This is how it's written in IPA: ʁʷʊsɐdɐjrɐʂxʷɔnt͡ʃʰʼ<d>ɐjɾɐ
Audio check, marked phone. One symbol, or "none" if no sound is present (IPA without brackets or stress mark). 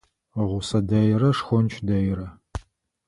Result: d